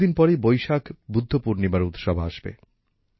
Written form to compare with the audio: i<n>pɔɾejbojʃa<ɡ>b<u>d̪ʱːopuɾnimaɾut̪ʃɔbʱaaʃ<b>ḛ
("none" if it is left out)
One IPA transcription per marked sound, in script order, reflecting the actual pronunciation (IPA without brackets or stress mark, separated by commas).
n, k, u, b